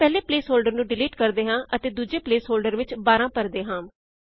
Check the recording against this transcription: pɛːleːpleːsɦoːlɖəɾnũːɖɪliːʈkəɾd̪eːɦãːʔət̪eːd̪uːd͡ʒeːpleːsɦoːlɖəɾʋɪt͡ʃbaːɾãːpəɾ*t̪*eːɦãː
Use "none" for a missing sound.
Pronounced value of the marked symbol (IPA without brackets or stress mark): d̪